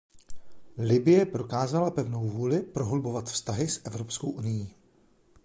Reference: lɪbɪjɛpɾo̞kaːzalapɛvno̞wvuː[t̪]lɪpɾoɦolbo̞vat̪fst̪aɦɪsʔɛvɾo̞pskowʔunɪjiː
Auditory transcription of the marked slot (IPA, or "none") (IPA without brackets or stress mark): none